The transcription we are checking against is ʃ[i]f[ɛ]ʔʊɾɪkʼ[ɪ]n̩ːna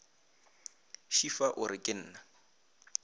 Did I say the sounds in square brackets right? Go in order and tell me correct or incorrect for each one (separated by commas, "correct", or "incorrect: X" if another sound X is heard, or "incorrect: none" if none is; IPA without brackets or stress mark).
correct, incorrect: a, correct